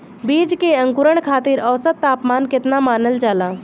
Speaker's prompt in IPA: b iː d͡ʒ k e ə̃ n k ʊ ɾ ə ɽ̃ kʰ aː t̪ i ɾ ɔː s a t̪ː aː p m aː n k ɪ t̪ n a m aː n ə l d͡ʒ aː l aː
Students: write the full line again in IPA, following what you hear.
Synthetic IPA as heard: b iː d͡ʒ k e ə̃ ŋ k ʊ ɾ ə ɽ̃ kʰ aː t̪ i ɾ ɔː s ə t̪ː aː p m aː n k ɪ t̪ n a m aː n ə l d͡ʒ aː l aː